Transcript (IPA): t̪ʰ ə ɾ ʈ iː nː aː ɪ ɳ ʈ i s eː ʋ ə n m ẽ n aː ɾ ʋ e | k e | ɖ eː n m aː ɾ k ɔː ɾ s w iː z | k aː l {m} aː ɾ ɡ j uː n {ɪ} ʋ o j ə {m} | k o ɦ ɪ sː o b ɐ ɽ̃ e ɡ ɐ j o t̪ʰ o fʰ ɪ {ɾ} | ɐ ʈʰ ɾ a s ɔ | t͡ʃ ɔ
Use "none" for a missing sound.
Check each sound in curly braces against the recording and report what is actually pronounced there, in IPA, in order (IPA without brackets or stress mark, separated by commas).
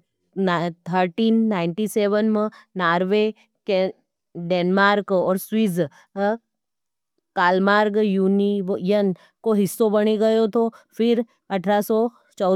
m, i, n, ɾ